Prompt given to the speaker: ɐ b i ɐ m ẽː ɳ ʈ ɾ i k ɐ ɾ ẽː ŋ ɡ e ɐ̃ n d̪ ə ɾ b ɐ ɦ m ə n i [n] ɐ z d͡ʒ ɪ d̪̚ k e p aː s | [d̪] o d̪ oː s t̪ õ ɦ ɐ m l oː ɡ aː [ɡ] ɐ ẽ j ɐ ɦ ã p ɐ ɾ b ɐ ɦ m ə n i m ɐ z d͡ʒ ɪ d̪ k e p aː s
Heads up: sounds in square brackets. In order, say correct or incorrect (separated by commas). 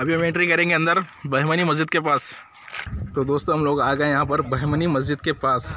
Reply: incorrect, incorrect, correct